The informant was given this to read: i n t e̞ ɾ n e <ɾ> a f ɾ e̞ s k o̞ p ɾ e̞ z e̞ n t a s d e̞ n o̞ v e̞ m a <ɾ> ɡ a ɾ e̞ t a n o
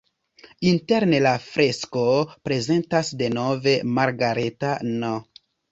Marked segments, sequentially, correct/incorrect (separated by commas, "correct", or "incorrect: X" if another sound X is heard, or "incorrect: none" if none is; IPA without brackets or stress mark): incorrect: l, correct